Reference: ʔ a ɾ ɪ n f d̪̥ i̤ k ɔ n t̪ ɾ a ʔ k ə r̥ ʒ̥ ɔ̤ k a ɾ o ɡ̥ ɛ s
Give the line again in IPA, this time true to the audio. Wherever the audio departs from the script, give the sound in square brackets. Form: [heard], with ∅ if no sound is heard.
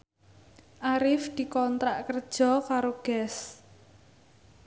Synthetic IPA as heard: ʔ a ɾ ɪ [∅] f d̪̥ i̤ k ɔ n t̪ ɾ a ʔ k ə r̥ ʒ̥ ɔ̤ k a ɾ o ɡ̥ ɛ s